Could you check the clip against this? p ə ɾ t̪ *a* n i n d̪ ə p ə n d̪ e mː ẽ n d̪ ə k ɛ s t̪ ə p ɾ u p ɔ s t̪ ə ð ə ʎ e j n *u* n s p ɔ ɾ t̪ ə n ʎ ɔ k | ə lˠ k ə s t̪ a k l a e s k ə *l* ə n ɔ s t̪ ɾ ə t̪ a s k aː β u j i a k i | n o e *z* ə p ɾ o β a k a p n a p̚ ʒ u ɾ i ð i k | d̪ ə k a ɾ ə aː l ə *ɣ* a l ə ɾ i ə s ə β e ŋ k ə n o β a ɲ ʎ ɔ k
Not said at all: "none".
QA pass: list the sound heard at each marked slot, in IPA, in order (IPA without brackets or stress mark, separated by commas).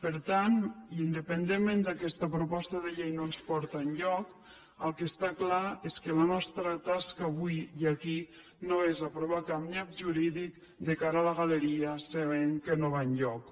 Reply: a, o, l, z, ɣ